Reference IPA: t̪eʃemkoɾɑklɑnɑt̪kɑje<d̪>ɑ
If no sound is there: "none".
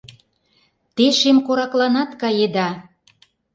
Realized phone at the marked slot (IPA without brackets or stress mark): d̪